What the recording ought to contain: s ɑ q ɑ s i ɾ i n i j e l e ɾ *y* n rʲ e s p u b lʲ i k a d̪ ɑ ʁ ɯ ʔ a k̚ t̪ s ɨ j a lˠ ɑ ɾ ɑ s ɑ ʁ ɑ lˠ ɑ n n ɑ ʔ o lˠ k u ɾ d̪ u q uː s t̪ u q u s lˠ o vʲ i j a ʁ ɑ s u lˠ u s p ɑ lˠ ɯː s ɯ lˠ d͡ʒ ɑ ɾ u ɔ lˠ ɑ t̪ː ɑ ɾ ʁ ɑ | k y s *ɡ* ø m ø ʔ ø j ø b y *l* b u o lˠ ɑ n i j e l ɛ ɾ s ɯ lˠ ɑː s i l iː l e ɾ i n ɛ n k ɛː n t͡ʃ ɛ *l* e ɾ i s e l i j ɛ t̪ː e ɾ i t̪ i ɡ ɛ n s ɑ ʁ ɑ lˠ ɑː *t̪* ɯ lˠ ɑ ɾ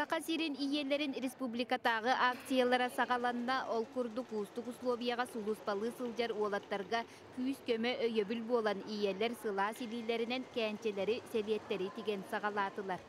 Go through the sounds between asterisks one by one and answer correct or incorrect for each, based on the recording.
incorrect, incorrect, correct, correct, correct

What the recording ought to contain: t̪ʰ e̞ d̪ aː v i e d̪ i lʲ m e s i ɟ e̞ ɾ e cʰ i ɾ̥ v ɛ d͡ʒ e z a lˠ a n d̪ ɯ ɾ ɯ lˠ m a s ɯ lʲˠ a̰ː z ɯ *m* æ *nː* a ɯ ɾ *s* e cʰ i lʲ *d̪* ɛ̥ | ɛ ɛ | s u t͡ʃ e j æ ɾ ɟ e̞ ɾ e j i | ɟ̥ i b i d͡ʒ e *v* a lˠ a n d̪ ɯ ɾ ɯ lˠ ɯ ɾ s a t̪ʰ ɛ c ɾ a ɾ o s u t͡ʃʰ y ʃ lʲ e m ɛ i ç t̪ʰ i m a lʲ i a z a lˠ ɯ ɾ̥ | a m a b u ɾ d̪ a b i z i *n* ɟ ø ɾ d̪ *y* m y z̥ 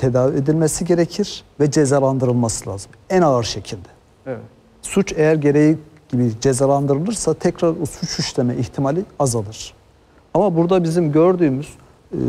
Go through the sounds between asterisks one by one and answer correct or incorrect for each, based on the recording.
correct, incorrect, incorrect, correct, incorrect, incorrect, incorrect

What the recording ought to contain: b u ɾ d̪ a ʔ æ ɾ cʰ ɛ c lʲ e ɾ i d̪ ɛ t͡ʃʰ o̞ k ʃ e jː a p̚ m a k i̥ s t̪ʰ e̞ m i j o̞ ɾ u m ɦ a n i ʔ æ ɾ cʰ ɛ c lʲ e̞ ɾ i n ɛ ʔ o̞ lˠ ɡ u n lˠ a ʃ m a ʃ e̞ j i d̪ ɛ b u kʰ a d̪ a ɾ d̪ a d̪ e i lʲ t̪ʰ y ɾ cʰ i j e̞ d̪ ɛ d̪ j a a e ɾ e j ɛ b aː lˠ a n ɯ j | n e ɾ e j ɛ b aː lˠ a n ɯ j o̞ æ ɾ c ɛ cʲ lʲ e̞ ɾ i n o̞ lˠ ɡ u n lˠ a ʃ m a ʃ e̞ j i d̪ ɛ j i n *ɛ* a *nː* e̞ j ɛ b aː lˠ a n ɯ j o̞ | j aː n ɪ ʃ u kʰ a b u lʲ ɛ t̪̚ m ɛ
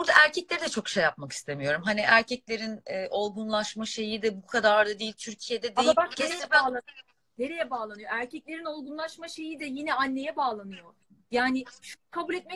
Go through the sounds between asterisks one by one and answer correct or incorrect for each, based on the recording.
correct, correct

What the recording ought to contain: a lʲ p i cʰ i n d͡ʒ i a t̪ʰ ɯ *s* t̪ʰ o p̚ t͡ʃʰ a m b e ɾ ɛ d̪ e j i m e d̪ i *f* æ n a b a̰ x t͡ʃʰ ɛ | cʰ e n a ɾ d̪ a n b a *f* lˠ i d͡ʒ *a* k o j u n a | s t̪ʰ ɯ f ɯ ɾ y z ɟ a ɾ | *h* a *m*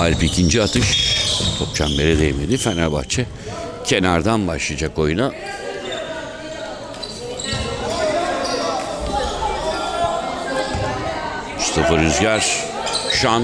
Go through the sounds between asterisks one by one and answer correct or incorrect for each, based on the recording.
incorrect, correct, incorrect, correct, incorrect, incorrect

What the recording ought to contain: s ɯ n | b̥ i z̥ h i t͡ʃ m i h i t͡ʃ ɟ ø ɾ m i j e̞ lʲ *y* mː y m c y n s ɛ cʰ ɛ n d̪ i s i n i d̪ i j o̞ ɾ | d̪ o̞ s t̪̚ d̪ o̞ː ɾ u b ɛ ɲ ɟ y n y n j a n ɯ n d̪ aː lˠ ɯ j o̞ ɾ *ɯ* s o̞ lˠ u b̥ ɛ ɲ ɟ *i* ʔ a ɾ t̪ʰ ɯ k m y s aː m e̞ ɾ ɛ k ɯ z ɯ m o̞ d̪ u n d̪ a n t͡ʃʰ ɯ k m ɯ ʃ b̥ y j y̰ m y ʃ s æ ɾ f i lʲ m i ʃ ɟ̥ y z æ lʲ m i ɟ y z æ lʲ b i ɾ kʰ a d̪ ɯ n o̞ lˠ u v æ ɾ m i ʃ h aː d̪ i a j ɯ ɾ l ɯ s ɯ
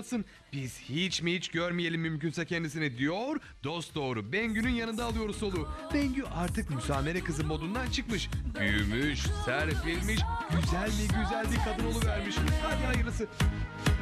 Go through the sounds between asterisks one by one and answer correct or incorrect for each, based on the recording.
incorrect, incorrect, incorrect

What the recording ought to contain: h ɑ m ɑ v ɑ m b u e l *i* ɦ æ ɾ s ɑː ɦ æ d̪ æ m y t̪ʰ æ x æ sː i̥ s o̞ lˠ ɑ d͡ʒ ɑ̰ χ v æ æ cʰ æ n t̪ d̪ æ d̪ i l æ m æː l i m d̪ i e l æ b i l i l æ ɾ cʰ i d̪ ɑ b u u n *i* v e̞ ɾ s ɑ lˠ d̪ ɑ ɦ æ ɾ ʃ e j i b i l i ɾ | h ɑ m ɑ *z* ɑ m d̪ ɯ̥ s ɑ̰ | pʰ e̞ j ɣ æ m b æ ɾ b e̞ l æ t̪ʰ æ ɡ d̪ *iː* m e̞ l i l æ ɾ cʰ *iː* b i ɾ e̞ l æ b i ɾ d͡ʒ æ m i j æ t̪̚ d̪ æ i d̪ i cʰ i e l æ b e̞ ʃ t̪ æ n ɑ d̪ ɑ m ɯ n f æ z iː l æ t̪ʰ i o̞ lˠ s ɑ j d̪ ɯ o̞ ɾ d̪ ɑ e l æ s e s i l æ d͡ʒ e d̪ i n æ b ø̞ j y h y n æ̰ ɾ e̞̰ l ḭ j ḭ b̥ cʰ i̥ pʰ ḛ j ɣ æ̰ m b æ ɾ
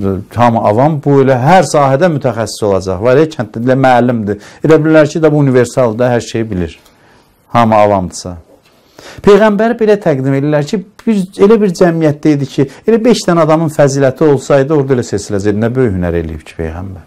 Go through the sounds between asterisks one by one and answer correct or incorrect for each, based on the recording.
incorrect, correct, incorrect, incorrect, incorrect

